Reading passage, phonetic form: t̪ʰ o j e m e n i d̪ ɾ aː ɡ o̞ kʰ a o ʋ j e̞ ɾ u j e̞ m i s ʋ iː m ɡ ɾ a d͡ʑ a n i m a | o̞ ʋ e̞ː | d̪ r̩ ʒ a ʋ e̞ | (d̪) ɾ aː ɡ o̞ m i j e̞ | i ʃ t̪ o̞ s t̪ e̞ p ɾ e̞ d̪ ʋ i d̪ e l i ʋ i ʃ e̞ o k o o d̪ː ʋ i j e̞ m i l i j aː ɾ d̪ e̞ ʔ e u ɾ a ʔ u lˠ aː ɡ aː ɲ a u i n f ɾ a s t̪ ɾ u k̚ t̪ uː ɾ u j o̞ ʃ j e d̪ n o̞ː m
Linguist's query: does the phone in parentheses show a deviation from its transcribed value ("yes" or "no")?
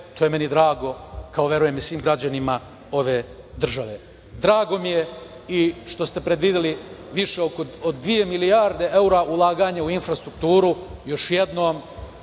no